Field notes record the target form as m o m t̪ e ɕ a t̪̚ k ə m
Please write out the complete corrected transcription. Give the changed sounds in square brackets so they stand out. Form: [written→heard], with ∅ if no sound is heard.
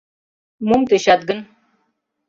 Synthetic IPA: m [o→u] m t̪ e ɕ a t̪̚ [k→ɡ] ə [m→n]

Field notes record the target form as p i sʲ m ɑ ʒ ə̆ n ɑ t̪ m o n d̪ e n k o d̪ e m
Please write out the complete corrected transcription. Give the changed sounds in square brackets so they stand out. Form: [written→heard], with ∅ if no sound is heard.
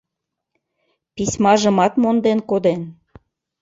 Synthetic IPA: p i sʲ m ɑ ʒ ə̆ [n→m] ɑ t̪ m o n d̪ e n k o d̪ e [m→n]

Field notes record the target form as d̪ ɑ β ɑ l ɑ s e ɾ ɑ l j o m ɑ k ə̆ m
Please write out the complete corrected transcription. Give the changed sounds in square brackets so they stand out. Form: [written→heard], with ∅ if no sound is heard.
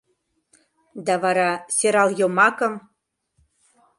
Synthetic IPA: d̪ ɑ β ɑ [l→ɾ] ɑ s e ɾ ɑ l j o m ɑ k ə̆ m

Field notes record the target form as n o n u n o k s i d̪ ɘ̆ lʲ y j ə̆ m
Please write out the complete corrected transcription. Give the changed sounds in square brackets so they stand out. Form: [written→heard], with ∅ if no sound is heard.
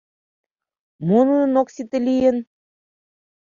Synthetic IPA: [n→m] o n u n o k s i [d̪→t̪] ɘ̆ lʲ [y→i] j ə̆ [m→n]

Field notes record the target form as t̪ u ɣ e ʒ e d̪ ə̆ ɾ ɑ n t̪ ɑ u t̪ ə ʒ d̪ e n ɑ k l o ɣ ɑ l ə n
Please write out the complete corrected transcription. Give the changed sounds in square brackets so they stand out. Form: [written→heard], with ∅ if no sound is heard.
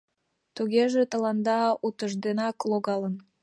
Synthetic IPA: t̪ u ɣ e ʒ e [d̪→t̪] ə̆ [ɾ→l] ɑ n [t̪→d̪] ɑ u t̪ ə ʒ d̪ e n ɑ k l o ɣ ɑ l ə n

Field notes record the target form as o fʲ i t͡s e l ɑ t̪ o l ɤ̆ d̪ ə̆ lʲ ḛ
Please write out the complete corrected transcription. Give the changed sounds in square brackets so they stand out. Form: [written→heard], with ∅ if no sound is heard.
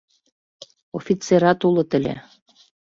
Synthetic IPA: o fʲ i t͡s e [l→ɾ] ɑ t̪ [o→u] l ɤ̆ [d̪→t̪] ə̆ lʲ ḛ

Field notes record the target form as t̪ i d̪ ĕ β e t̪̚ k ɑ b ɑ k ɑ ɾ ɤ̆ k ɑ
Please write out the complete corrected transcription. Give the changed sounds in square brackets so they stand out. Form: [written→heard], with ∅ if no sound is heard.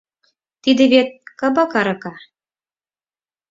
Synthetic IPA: t̪ i d̪ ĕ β e t̪̚ k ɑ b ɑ k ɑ ɾ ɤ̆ k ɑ

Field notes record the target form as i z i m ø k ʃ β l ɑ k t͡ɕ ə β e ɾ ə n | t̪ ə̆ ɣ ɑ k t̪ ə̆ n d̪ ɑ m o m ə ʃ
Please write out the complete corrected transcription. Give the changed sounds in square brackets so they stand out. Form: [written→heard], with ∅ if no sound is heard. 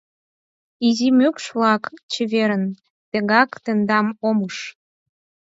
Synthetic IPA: i z i m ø k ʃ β l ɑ k t͡ɕ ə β e ɾ ə n | t̪ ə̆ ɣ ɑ k t̪ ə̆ n d̪ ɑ m o m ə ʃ

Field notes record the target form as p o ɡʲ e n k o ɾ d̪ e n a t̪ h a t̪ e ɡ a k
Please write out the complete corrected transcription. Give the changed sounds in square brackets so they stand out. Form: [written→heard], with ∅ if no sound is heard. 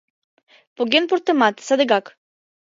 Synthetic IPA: p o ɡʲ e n [k→p] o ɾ [d̪→t̪] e [n→m] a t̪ [h→s] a [t̪→d̪] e ɡ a k

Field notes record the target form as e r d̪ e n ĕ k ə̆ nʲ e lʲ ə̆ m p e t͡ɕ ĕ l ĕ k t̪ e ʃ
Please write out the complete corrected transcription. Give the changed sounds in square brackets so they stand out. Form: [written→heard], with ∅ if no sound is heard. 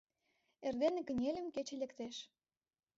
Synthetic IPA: e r d̪ e n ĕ k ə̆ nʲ e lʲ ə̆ m [p→k] e t͡ɕ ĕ l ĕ k t̪ e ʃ

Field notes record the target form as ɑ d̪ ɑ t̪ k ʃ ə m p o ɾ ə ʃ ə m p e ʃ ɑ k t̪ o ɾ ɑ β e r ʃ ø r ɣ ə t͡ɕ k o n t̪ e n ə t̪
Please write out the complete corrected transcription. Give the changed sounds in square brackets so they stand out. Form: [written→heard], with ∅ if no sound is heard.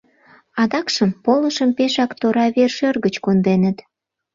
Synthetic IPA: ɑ d̪ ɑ [t̪→∅] k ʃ ə m p o [ɾ→l] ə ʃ ə m p e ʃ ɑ k t̪ o ɾ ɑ β e r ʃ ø r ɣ ə t͡ɕ k o n [t̪→d̪] e n ə t̪

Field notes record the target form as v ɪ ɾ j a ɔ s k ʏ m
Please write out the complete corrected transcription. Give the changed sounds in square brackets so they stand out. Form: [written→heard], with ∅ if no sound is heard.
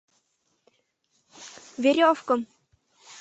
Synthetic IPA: v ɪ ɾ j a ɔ [s→f] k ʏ m

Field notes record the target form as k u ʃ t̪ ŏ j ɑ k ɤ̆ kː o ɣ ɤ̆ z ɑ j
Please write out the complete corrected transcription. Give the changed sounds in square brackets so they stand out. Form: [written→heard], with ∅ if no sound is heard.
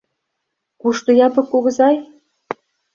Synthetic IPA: k u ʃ t̪ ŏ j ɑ [k→p] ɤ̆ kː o ɣ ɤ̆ z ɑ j

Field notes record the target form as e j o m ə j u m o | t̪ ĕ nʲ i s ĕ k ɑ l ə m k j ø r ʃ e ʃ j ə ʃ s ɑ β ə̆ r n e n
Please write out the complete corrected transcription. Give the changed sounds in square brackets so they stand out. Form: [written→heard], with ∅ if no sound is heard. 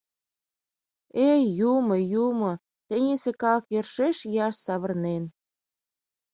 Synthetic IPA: e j [o→u] m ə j u m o | t̪ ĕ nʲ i s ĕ k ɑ l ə [m→∅] k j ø r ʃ e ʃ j [ə→ɑ] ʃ s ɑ β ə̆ r n e n

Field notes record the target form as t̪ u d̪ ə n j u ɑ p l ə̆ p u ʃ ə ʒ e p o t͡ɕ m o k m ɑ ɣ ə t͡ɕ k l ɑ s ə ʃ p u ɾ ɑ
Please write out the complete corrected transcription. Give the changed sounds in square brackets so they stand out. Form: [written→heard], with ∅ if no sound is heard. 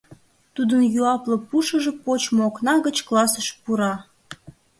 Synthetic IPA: t̪ u d̪ ə n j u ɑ p l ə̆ p u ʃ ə ʒ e p o t͡ɕ m o k [m→n] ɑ ɣ ə t͡ɕ k l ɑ s ə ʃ p u ɾ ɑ

